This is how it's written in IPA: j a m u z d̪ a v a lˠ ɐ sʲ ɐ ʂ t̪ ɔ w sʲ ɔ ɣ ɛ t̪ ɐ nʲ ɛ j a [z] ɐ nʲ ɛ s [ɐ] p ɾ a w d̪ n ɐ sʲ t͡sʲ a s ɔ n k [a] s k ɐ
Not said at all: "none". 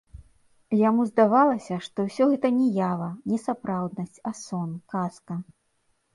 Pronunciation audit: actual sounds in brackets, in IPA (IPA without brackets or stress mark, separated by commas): v, a, a